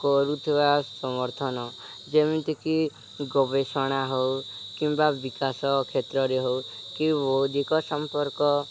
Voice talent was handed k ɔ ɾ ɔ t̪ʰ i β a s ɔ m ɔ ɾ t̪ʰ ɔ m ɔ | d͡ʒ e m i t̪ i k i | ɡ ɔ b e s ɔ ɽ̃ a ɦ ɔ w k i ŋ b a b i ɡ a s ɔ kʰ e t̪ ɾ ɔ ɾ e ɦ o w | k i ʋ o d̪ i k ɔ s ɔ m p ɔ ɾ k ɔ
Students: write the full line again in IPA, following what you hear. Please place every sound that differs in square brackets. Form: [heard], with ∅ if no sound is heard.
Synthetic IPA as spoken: k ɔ ɾ [u] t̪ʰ i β a s ɔ m ɔ ɾ t̪ʰ ɔ [n] ɔ | d͡ʒ e m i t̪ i k i | ɡ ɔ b e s ɔ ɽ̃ a ɦ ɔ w k i [m] b a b i [k] a s ɔ kʰ e t̪ ɾ ɔ ɾ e ɦ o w | k i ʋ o d̪ i k ɔ s ɔ m p ɔ ɾ k ɔ